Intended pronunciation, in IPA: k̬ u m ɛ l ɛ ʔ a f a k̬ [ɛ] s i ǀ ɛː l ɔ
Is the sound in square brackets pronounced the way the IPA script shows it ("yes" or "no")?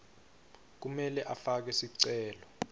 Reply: yes